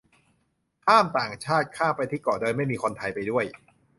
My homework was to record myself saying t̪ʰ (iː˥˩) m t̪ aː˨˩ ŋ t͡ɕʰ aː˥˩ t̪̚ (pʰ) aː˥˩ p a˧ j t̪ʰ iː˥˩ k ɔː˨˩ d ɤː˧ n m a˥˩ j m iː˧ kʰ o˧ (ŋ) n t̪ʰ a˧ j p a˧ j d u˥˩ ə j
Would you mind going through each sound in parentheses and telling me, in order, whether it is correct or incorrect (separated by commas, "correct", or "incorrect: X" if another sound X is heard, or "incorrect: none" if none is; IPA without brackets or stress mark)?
incorrect: aː˥˩, incorrect: kʰ, incorrect: none